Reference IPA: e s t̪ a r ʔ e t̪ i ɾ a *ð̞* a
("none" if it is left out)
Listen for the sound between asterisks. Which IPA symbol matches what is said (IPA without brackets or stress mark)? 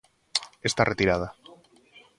ð̞